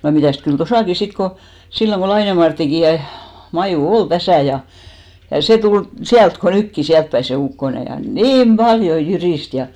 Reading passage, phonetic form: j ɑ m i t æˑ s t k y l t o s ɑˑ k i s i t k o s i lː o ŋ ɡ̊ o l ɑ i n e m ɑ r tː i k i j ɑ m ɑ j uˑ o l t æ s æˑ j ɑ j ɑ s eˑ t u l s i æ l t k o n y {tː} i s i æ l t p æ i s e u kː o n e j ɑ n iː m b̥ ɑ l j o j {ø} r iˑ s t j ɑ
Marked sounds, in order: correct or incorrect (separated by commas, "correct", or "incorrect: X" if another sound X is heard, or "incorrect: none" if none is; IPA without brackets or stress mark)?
incorrect: kː, incorrect: y